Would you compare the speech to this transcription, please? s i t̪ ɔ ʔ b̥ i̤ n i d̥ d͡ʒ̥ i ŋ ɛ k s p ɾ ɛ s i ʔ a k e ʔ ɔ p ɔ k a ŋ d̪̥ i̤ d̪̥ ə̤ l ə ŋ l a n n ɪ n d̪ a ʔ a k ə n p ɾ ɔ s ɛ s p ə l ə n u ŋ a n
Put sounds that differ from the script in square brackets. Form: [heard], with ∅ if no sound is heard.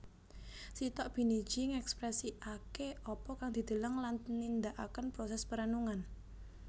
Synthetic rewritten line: s i t̪ ɔ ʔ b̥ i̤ n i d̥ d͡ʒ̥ i ŋ ɛ k s p ɾ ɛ s i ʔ a k e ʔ ɔ p ɔ k a ŋ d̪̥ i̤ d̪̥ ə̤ l ə ŋ l a n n [i] n d̪ a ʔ a k ə n p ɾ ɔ s ɛ s p ə [ɾ] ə n u ŋ a n